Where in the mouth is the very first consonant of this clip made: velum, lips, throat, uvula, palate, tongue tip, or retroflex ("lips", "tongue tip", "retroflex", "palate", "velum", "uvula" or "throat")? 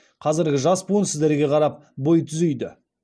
uvula